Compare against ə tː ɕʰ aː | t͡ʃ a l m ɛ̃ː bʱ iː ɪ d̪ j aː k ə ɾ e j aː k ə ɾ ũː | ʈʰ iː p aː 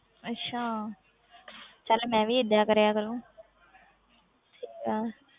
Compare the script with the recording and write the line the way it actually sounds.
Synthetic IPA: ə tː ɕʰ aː | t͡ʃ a l m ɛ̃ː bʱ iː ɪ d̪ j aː k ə ɾ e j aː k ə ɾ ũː | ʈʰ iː k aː